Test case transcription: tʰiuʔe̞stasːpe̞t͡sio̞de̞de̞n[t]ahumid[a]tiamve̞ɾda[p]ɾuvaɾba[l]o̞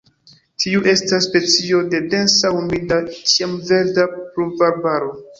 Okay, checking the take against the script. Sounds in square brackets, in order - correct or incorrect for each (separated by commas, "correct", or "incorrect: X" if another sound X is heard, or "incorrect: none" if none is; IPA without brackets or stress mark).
incorrect: s, correct, correct, incorrect: ɾ